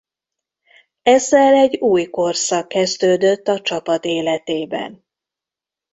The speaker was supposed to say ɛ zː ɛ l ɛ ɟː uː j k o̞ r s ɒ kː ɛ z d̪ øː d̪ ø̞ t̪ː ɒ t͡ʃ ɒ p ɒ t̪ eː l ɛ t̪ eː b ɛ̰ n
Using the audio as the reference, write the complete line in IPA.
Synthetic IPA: ɛ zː ɛ l ɛ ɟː uː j k o̞ r s ɒ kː ɛ z d̪ øː d̪ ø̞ t̪ː ɒ t͡ʃ ɒ p ɒ t̪ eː l ɛ t̪ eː b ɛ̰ n